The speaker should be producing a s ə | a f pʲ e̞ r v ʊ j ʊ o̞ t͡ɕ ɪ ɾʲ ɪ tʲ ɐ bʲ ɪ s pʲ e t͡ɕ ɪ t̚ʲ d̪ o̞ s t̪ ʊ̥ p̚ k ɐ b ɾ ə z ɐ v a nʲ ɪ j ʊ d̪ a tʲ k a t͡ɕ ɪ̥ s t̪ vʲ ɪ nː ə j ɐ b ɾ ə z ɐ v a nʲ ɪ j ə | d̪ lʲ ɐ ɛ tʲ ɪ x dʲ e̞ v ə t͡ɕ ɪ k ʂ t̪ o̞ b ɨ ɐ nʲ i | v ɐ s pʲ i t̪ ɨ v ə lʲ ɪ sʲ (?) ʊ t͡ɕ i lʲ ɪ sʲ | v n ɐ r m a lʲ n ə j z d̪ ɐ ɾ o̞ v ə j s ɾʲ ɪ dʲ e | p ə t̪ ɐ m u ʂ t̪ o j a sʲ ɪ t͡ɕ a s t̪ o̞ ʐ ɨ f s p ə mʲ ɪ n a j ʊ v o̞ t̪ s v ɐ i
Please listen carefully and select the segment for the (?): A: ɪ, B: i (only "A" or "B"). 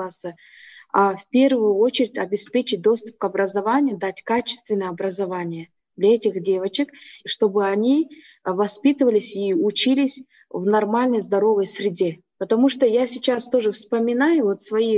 B